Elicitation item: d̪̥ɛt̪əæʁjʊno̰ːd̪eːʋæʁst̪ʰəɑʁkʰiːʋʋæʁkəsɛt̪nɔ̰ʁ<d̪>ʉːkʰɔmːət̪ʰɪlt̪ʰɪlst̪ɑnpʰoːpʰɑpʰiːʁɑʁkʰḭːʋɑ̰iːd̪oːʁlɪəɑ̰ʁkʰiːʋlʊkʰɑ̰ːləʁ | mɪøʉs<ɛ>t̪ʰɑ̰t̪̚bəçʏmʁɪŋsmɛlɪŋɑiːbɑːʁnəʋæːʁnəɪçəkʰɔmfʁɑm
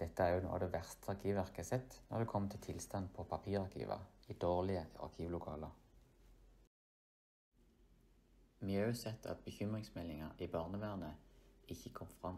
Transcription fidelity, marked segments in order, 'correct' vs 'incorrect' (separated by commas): correct, correct